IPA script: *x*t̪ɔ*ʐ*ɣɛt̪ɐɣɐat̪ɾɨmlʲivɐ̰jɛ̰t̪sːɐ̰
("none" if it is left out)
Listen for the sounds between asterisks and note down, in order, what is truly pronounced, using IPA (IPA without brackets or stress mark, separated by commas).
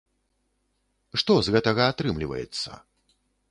ʂ, z